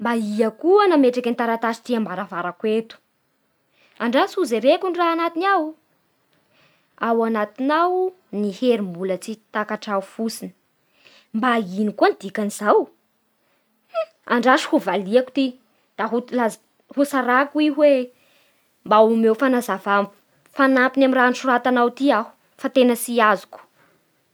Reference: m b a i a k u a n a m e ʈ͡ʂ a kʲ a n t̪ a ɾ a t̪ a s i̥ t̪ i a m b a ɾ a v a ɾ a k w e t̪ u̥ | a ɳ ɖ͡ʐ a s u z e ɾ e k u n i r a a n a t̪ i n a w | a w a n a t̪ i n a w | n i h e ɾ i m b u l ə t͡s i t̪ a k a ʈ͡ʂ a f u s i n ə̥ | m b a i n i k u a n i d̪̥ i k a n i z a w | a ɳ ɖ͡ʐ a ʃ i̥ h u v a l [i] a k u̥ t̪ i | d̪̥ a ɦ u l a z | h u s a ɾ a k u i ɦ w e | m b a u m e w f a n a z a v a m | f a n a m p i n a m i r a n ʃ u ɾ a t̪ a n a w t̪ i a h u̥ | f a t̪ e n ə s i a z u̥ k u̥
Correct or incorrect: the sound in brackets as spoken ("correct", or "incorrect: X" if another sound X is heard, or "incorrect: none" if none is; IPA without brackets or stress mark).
correct